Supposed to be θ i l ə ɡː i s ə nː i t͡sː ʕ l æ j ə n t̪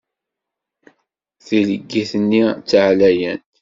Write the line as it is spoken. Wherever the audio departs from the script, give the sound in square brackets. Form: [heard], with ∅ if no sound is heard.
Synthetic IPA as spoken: θ i l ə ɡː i [θ] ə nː i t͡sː ʕ l æ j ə n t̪